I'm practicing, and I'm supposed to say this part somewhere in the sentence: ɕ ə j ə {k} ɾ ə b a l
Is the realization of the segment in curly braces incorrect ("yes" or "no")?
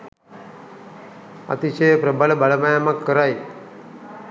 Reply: yes